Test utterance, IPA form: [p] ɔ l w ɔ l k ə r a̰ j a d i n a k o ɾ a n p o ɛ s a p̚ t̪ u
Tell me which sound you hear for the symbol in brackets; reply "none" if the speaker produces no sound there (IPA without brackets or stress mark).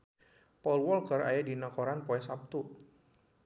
p